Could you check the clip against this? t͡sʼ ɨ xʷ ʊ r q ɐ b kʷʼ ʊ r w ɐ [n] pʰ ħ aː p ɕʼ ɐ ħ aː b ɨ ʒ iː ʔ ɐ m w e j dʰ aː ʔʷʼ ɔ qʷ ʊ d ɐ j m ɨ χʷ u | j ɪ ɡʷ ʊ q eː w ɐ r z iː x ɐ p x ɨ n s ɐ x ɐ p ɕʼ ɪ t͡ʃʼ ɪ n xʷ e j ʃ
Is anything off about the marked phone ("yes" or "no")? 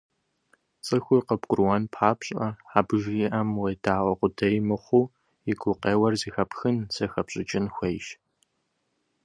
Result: no